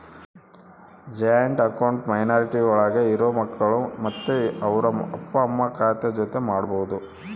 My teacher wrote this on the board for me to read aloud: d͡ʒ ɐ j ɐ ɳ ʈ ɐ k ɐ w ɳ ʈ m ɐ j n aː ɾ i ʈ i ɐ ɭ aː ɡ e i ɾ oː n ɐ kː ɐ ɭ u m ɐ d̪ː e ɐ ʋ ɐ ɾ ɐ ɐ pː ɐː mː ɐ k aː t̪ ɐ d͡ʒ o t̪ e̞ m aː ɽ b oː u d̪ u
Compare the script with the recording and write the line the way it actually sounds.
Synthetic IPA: d͡ʒ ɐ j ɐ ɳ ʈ ɐ k ɐ w ɳ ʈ m ɐ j n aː ɾ i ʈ i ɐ ɭ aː ɡ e i ɾ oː m ɐ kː ɐ ɭ u m ɐ t̪ː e ɐ ʋ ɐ ɾ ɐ ɐ pː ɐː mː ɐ k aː t̪ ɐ d͡ʒ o t̪ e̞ m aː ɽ b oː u d̪ u